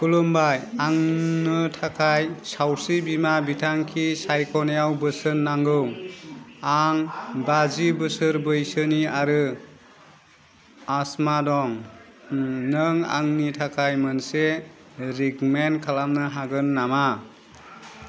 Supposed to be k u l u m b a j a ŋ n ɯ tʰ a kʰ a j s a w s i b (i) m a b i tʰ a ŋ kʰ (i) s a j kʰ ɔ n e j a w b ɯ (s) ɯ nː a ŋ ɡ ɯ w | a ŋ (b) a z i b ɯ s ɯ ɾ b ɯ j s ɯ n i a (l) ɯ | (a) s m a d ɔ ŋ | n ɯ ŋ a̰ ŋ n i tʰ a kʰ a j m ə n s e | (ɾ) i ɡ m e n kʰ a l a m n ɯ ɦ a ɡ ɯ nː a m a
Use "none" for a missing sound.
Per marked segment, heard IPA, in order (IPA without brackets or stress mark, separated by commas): i, i, s, b, ɾ, a, ɾ